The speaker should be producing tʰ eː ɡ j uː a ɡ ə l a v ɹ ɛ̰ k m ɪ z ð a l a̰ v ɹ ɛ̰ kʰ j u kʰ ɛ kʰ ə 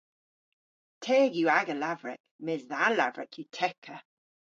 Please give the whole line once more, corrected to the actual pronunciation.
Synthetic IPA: tʰ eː ɡ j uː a ɡ ə l a v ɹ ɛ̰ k m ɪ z ð a l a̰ v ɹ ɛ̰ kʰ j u tʰ ɛ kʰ ə

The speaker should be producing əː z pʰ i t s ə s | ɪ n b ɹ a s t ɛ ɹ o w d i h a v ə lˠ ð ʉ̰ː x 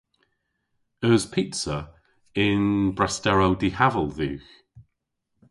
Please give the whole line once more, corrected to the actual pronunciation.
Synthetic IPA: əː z pʰ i t s ə | ɪ n b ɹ a s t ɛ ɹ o w d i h a v ə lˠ ð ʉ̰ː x

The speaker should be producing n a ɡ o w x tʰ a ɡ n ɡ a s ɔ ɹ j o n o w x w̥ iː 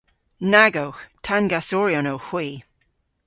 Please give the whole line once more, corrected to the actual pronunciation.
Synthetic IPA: n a ɡ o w x tʰ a n ɡ a s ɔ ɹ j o n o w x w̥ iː

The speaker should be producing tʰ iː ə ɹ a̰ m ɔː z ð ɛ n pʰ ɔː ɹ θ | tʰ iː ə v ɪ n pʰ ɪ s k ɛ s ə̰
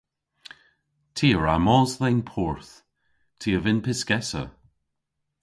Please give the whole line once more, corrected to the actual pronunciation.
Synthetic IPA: tʰ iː ə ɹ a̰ m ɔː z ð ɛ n pʰ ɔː ɹ θ | tʰ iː ə v ɪ n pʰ ɪ s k ɛ s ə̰

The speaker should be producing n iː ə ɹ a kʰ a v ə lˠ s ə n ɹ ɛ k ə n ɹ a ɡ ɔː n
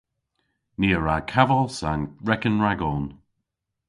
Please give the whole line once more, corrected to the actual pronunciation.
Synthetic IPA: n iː ə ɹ a kʰ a v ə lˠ s a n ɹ ɛ k ə n ɹ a ɡ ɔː n

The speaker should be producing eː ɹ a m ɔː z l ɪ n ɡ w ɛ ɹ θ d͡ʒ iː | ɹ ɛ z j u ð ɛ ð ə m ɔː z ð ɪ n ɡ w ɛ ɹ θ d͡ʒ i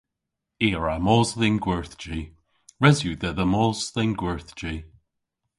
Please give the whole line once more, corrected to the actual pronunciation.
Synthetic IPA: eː ɹ a m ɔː z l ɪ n ɡ w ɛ ɹ θ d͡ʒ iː | ɹ ɛ z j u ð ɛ ð ə m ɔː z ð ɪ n ɡ w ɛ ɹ θ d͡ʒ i

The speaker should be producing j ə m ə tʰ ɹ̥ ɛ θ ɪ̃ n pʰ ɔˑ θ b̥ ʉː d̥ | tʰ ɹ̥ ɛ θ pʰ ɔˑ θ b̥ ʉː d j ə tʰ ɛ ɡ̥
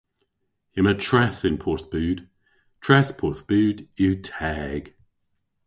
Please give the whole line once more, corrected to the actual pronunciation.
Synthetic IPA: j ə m ə tʰ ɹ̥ ɛ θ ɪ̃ n pʰ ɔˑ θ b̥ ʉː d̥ | tʰ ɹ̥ ɛ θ pʰ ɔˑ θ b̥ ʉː d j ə tʰ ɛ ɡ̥

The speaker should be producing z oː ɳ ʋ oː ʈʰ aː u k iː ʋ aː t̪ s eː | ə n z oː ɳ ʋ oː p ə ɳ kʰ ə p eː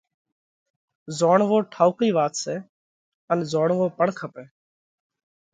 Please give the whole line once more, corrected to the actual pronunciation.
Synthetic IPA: z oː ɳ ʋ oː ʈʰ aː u k iː ʋ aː t̪ s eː | ə n z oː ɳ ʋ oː p ə ɳ kʰ ə p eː

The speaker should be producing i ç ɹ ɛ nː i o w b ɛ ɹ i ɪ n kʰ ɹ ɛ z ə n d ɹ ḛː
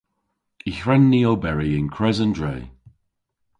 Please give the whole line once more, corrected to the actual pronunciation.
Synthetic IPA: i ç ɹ ɛ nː i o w b ɛ ɹ i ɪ n kʰ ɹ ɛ z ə n d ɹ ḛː

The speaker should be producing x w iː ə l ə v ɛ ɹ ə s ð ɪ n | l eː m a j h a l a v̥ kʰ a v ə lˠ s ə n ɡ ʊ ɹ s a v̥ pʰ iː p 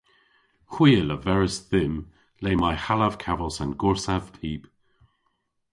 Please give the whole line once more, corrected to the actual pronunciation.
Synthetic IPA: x w iː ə l ə v ɛ ɹ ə s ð ɪ m | l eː m a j h a l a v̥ kʰ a v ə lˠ s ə n ɡ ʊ ɹ s a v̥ pʰ iː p

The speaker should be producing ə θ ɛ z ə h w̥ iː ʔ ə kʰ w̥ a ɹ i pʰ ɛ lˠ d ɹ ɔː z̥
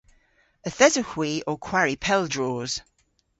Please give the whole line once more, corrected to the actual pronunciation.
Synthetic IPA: ə θ ɛ z ə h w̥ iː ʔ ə kʰ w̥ a ɹ i pʰ ɛ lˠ d ɹ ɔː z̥

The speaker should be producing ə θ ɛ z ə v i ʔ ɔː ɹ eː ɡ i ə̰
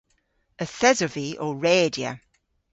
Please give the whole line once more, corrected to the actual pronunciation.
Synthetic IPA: ə θ ɛ z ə v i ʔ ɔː ɹ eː d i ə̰

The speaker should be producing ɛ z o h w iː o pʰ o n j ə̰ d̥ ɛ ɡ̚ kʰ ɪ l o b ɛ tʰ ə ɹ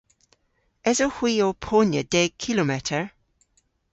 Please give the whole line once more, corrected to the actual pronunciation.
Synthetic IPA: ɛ z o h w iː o pʰ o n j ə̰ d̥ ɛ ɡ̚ kʰ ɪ l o m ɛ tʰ ə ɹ

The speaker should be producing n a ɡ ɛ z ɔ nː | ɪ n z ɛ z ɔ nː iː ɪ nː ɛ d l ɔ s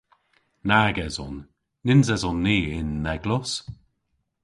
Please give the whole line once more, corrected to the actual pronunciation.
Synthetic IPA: n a ɡ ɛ z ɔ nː | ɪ n z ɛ z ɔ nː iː ɪ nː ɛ ɡ l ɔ s

